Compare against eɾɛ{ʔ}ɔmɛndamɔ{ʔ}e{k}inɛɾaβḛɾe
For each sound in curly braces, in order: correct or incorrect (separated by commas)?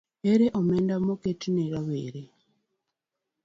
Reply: correct, incorrect, incorrect